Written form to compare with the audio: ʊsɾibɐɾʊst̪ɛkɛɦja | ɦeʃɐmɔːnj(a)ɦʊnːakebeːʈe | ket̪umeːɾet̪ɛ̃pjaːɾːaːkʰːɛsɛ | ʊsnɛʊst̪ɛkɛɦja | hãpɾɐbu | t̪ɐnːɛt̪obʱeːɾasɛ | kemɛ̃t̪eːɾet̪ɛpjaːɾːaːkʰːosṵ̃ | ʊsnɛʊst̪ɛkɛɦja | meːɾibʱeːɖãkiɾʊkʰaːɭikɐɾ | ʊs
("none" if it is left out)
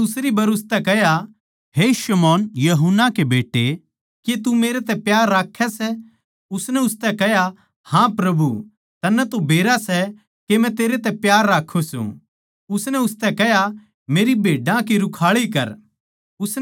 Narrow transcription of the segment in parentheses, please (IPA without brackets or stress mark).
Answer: ɐ